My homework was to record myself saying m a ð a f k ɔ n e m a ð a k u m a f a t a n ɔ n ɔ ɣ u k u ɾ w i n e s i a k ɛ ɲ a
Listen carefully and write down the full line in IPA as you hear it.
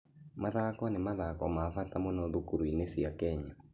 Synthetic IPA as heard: m a ð a k ɔ n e m a ð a k ɔ m a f a t a m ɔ n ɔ ð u k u ɾ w i n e s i a k ɛ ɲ a